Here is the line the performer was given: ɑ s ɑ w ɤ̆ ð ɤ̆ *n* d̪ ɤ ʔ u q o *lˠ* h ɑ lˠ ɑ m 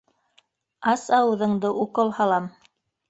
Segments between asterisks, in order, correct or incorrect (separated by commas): incorrect, correct